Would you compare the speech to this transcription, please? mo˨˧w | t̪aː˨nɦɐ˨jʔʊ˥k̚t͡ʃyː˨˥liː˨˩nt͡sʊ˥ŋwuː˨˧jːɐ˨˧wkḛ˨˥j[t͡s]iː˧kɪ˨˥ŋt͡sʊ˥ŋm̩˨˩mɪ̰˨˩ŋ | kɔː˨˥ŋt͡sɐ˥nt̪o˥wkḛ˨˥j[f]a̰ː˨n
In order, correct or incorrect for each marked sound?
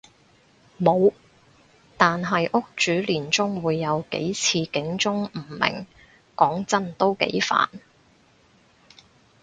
incorrect: t͡sʰ, correct

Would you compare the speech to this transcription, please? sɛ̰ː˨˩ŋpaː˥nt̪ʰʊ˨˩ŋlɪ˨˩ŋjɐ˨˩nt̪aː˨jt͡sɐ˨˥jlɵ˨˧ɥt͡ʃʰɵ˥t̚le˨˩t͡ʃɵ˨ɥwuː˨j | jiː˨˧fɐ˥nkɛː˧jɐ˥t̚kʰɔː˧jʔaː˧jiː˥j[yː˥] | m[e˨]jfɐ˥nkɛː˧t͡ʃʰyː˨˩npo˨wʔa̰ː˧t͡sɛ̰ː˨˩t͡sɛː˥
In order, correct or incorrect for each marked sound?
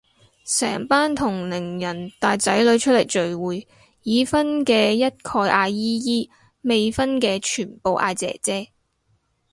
incorrect: iː˥, correct

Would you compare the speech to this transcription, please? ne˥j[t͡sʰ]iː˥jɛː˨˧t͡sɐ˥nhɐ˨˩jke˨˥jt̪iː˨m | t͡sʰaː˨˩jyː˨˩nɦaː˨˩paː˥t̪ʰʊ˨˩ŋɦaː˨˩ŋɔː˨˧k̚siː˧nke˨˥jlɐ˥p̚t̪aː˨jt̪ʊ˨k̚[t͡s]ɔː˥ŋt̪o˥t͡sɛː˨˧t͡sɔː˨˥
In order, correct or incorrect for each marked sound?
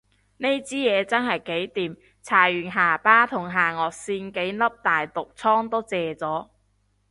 incorrect: t͡s, incorrect: t͡sʰ

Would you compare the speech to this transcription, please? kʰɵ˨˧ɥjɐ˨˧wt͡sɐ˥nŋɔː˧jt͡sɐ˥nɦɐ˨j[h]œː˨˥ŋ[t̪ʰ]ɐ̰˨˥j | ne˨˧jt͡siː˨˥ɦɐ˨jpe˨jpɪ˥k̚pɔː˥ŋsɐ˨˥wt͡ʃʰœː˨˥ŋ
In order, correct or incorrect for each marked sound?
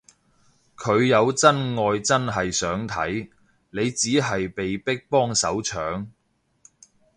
incorrect: s, correct

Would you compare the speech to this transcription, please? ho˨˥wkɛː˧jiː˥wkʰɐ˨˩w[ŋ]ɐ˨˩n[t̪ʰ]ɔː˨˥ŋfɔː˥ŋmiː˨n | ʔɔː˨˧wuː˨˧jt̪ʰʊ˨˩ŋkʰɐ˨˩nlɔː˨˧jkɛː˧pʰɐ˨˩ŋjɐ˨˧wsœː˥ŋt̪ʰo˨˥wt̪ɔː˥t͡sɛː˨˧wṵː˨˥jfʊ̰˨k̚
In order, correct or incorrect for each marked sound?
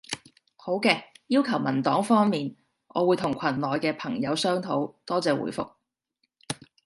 incorrect: m, incorrect: t̪

